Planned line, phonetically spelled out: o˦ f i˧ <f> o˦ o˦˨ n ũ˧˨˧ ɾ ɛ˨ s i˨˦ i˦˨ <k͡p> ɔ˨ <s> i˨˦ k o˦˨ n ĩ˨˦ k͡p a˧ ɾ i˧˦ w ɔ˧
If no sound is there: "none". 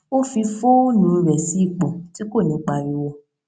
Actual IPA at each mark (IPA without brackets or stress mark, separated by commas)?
f, k͡p, t